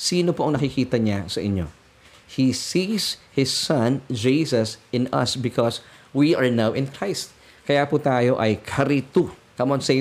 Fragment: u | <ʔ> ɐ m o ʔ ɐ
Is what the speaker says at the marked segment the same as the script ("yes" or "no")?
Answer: no